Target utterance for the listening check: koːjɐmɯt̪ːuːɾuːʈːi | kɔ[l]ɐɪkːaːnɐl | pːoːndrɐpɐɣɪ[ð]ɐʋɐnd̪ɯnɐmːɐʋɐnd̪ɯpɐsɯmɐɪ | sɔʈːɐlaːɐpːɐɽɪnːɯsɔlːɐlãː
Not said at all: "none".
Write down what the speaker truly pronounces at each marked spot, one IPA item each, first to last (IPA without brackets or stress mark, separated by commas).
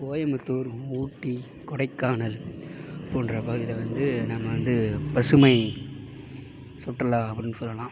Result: ɽ, ð